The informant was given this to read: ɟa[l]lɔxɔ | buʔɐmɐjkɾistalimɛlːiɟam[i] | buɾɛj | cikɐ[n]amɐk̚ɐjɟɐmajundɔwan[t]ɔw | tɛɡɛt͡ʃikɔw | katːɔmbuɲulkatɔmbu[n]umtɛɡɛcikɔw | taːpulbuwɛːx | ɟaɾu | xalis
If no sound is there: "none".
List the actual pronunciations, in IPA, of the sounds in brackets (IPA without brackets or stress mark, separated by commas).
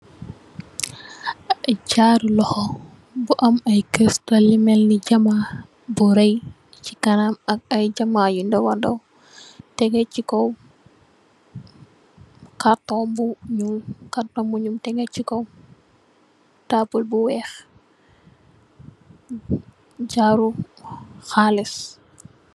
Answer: ɾ, a, n, d, ɲ